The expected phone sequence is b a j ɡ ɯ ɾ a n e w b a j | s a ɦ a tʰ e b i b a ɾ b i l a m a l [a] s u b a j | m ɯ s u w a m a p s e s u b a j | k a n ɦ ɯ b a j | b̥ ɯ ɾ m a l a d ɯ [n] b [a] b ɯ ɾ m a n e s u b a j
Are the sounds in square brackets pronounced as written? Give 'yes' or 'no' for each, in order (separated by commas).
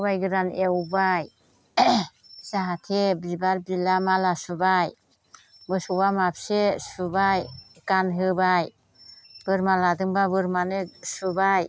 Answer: yes, no, yes